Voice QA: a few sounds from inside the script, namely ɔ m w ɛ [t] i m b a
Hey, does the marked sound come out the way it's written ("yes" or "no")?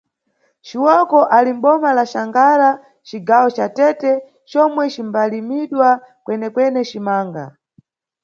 no